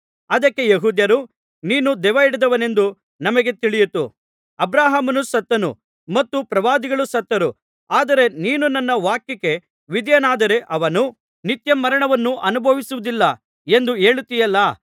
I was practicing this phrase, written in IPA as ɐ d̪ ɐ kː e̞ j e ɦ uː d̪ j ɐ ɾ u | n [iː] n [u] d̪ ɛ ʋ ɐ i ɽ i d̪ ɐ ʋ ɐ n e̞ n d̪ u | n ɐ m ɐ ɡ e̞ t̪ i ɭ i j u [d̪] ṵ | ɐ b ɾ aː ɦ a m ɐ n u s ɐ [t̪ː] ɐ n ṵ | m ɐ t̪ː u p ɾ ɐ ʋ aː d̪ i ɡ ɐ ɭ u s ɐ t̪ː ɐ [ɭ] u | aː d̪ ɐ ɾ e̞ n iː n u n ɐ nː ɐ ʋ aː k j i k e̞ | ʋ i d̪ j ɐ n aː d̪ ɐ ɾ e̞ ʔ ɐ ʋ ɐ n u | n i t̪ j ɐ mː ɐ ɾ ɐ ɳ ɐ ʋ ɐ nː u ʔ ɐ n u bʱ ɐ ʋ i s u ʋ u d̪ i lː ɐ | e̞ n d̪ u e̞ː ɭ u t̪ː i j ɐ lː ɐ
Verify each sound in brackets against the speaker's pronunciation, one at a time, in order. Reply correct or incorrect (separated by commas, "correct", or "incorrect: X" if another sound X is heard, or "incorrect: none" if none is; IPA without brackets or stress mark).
correct, correct, incorrect: t̪, correct, incorrect: ɾ